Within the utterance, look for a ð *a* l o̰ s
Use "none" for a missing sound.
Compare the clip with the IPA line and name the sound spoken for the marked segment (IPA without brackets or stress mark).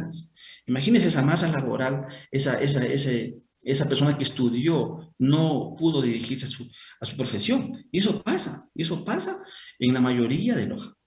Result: e